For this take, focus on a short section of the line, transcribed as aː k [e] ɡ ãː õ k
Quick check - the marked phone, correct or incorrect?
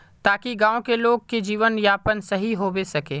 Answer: incorrect